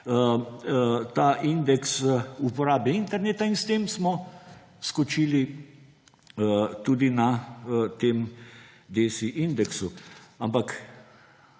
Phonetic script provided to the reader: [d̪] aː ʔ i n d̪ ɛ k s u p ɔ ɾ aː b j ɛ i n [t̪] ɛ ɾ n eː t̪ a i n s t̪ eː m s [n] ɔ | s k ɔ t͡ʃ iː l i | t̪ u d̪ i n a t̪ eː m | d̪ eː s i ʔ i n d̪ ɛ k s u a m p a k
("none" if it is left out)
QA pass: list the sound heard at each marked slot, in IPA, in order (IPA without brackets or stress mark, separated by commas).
t̪, t̪, m